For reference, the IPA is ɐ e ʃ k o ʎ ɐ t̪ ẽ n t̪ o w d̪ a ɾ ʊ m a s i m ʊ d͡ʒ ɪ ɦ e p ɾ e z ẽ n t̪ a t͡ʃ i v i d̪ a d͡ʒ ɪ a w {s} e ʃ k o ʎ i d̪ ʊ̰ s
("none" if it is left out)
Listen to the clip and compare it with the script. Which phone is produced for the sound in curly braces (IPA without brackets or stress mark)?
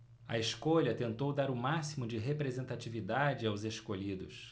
z